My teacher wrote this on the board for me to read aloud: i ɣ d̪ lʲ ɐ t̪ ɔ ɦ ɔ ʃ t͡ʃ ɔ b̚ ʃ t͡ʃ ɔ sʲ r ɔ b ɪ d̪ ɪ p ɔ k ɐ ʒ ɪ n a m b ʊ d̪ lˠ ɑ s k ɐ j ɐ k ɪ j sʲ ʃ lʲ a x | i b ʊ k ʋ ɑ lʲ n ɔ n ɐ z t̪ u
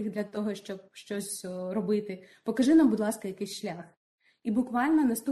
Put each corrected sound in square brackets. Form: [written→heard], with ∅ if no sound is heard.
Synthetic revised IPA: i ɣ d̪ lʲ ɐ t̪ ɔ ɦ ɔ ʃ t͡ʃ ɔ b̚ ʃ t͡ʃ ɔ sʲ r ɔ b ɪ [d̪→t̪] ɪ p ɔ k ɐ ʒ ɪ n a m b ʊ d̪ lˠ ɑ s k ɐ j ɐ k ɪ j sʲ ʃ lʲ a x | i b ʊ k ʋ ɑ lʲ n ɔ n ɐ [z→s] t̪ u